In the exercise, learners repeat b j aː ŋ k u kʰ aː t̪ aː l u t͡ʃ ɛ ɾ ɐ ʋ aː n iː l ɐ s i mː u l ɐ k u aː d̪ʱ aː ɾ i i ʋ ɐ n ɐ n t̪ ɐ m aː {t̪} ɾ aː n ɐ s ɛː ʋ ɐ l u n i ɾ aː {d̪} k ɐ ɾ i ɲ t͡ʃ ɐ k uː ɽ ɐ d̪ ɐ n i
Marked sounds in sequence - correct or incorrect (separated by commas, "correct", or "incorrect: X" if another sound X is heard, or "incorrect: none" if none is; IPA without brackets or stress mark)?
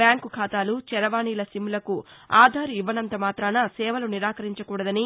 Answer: correct, incorrect: none